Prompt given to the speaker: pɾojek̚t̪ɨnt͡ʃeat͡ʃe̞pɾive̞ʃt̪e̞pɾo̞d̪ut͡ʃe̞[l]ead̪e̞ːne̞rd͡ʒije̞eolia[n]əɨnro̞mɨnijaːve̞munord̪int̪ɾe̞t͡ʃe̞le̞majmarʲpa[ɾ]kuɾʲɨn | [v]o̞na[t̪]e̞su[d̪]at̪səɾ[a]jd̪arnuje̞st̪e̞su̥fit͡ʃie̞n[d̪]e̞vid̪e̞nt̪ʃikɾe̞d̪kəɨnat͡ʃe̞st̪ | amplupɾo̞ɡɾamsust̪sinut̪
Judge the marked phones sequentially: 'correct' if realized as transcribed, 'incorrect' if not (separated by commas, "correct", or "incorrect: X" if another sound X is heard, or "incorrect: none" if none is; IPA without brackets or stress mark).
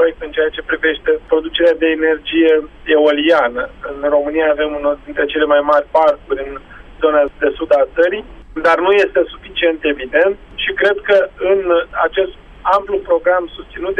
incorrect: ɾ, correct, incorrect: r, incorrect: z, incorrect: d̪, correct, incorrect: i, incorrect: t̪